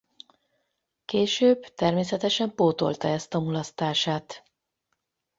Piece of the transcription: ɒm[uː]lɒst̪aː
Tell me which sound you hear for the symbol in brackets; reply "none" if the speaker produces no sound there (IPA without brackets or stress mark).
u